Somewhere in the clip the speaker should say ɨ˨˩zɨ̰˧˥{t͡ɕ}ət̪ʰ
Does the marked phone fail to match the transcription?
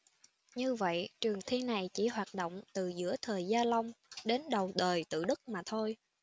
yes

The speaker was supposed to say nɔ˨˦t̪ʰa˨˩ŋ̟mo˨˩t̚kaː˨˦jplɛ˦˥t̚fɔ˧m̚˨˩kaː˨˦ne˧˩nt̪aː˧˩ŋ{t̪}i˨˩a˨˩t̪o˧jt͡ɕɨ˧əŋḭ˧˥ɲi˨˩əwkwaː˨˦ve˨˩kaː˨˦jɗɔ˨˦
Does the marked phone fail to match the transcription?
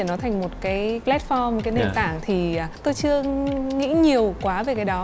yes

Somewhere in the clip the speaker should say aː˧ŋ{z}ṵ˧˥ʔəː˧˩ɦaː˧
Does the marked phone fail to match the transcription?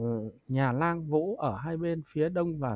yes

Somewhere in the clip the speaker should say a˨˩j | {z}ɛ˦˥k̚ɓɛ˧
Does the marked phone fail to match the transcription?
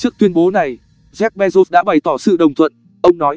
no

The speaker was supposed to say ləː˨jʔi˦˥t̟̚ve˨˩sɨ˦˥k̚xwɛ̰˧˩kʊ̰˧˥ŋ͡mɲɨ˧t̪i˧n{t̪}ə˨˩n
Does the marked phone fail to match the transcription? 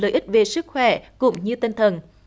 yes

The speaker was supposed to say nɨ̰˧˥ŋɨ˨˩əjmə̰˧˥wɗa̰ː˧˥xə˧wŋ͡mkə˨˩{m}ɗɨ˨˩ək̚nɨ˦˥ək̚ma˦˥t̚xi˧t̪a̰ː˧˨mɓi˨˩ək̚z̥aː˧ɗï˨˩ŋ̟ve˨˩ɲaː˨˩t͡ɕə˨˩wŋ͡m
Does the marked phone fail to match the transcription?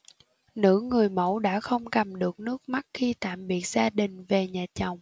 no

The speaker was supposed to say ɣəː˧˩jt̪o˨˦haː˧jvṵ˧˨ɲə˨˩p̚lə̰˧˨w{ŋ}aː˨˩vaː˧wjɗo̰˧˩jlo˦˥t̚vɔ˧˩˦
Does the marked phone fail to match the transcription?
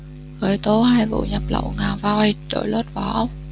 no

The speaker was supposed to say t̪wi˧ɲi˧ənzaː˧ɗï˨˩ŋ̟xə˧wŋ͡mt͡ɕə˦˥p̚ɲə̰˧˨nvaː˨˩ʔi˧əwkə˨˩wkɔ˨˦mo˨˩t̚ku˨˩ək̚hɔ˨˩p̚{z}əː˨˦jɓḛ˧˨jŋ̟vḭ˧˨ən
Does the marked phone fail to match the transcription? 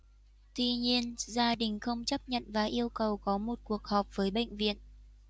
yes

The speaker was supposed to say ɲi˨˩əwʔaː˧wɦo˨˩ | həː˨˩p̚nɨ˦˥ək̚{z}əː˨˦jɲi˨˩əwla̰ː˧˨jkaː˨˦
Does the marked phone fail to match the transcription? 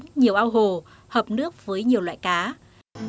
yes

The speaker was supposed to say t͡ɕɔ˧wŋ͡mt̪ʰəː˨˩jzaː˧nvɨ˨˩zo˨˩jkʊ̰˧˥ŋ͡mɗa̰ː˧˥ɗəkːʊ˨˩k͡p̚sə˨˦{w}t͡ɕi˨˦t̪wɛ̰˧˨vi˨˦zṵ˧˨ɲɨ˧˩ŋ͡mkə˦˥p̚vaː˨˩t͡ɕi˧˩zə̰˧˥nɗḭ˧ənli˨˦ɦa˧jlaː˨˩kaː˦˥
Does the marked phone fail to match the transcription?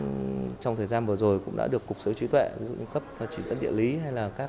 no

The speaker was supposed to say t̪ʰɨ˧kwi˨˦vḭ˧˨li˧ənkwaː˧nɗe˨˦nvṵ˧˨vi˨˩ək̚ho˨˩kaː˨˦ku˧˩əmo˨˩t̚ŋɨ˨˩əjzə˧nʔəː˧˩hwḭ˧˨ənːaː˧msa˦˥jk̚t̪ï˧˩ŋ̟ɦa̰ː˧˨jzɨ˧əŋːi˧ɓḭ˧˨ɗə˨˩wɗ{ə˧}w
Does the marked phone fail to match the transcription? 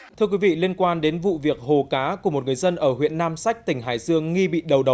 yes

